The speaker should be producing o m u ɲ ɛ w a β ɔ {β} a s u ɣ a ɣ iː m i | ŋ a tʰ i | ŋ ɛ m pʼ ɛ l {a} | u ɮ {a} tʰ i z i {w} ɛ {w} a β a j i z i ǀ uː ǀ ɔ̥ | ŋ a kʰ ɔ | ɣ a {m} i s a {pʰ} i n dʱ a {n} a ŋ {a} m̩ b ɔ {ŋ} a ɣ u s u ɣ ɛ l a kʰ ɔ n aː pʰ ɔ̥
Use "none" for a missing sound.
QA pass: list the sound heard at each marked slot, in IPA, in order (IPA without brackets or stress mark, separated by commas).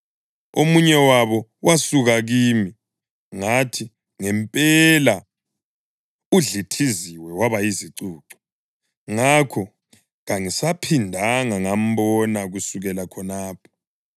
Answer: w, a, i, w, w, ŋ, pʰ, ŋ, a, n